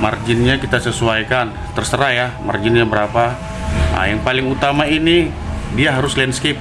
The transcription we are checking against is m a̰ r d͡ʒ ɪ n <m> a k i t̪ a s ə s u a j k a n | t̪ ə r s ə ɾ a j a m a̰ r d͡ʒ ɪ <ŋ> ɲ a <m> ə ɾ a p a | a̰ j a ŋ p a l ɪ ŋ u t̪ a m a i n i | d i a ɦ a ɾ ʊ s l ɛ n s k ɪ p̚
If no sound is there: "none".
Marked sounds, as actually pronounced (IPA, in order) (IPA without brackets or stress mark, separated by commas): ɲ, n, b